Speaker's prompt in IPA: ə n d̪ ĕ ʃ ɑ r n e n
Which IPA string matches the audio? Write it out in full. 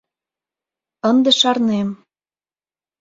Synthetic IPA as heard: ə n d̪ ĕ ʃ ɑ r n e m